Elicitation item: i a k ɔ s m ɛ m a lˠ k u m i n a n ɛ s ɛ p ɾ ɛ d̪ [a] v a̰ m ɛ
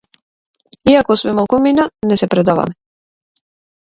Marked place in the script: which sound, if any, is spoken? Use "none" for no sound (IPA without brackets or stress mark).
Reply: a